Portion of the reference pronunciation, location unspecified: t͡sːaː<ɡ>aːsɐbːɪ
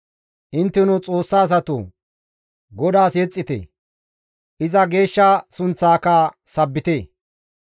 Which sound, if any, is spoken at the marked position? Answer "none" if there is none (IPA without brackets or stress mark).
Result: k